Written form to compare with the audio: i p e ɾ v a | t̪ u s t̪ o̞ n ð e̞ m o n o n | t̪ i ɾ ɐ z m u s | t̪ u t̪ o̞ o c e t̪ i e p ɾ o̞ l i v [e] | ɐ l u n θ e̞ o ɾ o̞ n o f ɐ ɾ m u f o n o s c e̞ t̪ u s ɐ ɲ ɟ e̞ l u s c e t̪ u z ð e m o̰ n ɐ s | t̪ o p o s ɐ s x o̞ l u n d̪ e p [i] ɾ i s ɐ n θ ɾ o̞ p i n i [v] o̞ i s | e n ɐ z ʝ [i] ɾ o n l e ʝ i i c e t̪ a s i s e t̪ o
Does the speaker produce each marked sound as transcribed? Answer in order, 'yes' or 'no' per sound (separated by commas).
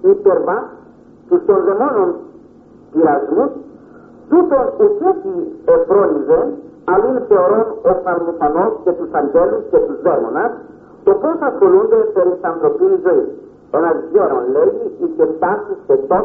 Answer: yes, no, no, no